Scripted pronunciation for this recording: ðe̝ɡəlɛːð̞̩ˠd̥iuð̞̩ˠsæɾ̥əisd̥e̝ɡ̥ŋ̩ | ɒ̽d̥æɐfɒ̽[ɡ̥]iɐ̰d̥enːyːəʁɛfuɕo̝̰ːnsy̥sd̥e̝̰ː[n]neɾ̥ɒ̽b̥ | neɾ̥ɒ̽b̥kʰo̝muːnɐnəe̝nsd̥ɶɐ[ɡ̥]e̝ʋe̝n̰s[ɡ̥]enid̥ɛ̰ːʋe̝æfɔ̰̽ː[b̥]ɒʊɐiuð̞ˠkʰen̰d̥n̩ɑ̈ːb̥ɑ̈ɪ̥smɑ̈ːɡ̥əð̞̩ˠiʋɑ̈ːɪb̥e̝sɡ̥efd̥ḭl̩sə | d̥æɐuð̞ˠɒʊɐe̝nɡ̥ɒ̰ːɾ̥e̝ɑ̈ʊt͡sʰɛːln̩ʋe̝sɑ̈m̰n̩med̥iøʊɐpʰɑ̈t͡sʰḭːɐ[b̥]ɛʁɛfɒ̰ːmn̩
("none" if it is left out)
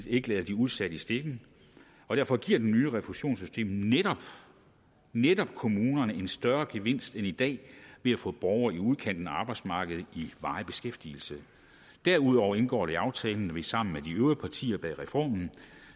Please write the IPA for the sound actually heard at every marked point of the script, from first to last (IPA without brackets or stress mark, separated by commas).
ɡ̥, m, ɡ̥, d̥, b̥, b̥